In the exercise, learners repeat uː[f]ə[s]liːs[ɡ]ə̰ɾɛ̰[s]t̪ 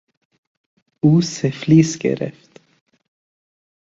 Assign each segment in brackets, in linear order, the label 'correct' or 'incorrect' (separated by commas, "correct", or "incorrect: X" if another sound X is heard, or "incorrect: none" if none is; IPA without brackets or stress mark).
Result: incorrect: s, incorrect: f, incorrect: k, incorrect: f